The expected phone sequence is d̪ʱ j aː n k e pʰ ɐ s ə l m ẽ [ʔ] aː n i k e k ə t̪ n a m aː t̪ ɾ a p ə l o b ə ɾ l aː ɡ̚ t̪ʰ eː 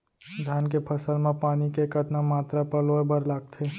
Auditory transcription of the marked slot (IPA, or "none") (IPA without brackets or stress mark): p